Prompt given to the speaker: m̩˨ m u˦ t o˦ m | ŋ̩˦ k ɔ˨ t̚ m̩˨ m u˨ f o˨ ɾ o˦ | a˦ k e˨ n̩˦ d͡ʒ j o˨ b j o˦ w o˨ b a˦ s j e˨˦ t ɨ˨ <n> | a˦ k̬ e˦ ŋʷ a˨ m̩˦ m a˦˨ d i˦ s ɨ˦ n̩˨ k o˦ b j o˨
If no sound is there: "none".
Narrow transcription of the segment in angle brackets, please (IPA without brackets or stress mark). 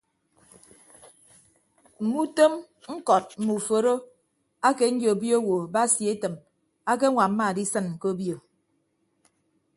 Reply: m